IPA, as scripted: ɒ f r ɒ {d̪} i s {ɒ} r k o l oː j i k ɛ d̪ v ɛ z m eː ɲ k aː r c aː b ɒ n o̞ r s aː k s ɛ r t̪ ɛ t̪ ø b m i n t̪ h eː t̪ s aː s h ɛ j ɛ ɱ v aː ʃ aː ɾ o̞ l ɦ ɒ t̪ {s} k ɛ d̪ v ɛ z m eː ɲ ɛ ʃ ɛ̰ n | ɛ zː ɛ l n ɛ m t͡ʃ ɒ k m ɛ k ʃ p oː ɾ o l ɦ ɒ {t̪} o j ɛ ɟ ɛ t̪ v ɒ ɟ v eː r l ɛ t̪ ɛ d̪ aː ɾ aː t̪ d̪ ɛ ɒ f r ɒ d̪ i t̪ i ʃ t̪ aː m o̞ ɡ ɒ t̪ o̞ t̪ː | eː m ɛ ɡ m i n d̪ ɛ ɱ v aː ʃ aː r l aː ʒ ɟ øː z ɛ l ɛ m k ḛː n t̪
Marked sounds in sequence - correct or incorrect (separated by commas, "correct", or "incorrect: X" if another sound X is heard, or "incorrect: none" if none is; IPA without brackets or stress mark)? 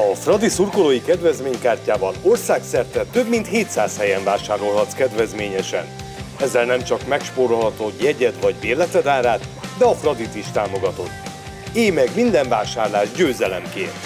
correct, incorrect: u, correct, correct